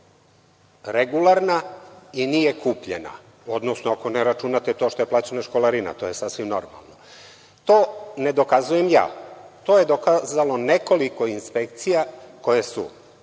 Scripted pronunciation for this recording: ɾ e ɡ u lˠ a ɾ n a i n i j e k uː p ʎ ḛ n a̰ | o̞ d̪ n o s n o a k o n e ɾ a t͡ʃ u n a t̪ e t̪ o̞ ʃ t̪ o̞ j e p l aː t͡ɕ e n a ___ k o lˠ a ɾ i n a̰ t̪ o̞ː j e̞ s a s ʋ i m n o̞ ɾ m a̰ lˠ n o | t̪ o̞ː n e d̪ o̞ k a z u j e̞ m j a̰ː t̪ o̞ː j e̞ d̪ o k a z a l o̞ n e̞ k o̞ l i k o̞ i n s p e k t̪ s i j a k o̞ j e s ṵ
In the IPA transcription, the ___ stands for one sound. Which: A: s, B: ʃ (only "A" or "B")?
B